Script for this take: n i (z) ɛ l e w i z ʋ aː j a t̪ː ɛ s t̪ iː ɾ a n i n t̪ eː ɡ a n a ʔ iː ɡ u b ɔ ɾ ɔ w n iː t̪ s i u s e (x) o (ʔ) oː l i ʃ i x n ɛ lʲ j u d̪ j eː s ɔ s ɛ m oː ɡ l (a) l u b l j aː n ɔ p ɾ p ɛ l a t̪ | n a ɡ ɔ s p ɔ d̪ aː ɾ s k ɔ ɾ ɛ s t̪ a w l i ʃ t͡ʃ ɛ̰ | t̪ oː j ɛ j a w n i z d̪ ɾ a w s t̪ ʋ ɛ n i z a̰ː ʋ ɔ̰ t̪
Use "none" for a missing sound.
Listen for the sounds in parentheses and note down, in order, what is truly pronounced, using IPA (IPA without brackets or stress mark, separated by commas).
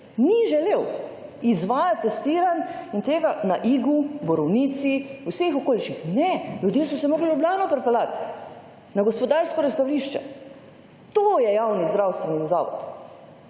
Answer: ʒ, x, k, i